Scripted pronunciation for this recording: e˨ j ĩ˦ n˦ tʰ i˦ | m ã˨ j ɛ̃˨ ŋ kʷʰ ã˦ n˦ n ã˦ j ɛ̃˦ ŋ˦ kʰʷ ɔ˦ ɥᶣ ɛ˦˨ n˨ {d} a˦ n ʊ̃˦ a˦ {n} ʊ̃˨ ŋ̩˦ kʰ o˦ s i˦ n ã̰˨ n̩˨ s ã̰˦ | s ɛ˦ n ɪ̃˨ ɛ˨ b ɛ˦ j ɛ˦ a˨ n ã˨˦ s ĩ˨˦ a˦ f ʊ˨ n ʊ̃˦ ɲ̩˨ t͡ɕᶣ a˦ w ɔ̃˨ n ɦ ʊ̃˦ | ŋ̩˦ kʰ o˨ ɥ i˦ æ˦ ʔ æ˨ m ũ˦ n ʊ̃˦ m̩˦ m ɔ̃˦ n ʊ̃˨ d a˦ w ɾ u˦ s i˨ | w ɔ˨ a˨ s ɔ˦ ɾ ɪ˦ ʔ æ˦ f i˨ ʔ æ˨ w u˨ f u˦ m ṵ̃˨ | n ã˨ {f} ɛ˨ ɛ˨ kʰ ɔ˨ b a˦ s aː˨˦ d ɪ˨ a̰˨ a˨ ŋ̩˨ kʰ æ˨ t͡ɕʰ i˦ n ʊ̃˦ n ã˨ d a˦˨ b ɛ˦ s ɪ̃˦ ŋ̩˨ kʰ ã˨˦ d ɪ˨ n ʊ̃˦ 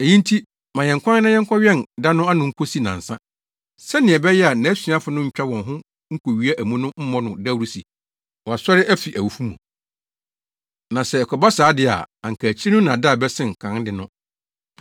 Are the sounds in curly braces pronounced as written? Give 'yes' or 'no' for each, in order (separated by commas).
yes, yes, no